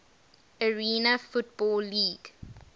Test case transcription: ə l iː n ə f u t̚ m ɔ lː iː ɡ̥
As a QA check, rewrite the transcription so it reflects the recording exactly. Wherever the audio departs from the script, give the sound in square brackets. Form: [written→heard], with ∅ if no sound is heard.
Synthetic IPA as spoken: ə [l→ɹ] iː n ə f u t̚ [m→b] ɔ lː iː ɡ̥